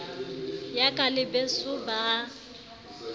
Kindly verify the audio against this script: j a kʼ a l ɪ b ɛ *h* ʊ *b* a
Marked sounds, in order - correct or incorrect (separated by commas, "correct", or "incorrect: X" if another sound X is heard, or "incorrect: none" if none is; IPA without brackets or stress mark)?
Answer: incorrect: s, correct